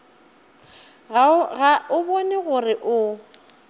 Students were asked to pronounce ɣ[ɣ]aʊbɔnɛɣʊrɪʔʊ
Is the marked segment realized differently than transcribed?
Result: no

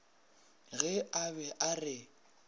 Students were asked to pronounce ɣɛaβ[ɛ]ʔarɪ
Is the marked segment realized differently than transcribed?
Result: no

